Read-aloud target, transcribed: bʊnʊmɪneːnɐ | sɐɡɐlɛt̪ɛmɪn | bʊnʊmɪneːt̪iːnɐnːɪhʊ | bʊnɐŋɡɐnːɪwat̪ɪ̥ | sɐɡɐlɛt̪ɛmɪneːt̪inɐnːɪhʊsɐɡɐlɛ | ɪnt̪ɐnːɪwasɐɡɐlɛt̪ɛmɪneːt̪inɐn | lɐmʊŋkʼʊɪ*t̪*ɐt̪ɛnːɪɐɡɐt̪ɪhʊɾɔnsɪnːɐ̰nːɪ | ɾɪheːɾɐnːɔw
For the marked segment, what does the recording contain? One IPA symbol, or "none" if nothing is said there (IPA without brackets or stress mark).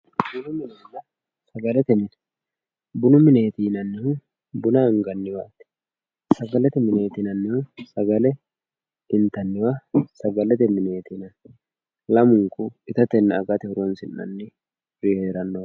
t̪